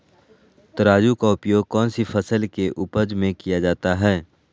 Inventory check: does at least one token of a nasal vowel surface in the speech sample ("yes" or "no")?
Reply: yes